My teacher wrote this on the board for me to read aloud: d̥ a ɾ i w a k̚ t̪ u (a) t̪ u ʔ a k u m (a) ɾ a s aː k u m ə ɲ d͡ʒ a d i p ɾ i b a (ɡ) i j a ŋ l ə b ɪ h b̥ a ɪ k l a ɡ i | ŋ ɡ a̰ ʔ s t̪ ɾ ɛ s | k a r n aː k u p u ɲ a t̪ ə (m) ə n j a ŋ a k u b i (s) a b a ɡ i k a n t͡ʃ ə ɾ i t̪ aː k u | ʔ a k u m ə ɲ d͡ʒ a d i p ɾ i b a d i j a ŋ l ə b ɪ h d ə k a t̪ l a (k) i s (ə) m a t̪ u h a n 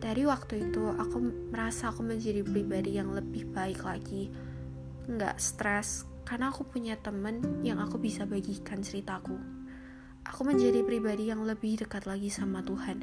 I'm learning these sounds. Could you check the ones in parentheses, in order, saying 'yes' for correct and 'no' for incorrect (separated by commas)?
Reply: no, no, no, yes, yes, no, no